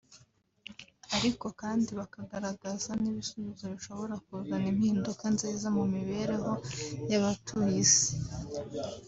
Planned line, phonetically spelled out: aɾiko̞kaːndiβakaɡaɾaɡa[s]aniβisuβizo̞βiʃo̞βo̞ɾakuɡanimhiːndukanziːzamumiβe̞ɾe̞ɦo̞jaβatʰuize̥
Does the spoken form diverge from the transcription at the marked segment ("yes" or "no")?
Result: yes